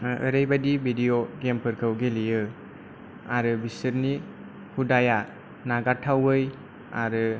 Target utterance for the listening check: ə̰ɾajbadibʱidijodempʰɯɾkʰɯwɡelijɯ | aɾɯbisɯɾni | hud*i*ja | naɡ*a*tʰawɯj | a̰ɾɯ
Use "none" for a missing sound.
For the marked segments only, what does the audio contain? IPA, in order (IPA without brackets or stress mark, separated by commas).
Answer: a, a